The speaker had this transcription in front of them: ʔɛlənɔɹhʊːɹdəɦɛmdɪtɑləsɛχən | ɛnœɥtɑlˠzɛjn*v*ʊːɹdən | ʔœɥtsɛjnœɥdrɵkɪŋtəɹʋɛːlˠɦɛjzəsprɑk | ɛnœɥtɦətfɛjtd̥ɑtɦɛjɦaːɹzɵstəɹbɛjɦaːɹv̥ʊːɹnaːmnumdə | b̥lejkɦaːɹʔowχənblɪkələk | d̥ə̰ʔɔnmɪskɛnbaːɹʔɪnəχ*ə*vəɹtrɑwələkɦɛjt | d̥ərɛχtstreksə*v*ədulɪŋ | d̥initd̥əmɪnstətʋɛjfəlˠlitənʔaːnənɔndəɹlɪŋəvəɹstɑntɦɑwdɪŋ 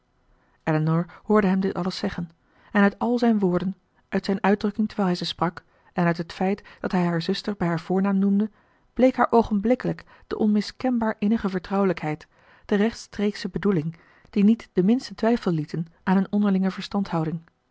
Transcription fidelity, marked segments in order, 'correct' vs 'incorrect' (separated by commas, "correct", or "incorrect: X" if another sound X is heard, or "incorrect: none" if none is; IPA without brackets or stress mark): incorrect: ʋ, correct, incorrect: b